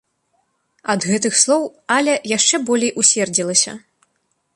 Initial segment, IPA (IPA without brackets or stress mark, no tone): ɐ